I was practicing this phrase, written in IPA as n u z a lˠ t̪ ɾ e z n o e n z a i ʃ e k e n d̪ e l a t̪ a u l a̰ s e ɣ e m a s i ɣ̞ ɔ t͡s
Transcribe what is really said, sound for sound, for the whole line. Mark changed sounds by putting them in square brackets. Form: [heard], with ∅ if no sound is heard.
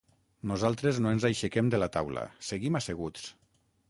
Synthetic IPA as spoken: n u z a lˠ t̪ ɾ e z n o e n z a [j] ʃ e k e [m] d̪ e l a t̪ a [w] l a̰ s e ɣ [i] m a s [e] ɣ̞ [u] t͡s